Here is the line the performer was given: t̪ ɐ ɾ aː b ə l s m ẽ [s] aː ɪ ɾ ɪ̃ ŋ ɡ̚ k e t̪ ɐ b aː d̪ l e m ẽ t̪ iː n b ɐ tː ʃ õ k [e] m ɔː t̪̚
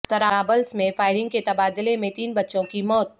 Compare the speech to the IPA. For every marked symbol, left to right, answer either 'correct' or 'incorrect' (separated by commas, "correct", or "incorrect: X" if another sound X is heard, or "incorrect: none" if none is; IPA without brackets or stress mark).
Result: incorrect: f, incorrect: i